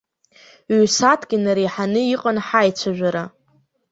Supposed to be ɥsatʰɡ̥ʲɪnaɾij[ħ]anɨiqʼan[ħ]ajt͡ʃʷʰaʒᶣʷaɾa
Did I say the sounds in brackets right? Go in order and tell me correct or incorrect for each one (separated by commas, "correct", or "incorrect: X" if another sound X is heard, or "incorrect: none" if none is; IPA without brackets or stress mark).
correct, correct